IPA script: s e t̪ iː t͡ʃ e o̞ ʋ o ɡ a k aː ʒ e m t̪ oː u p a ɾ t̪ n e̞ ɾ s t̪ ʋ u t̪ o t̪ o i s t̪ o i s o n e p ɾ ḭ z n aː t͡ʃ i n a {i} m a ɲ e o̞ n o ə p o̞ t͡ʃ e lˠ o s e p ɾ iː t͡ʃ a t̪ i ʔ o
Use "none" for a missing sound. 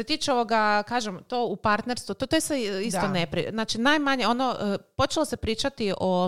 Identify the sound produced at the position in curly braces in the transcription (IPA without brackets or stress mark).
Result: j